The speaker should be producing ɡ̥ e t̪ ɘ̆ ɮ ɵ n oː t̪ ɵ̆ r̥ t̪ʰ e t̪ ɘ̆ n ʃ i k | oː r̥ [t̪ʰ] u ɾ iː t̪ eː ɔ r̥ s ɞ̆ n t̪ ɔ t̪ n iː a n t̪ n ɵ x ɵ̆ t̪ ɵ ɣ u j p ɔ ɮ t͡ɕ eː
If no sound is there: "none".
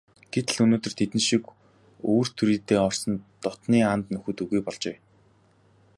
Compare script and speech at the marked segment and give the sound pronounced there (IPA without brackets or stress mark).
t̪ʰ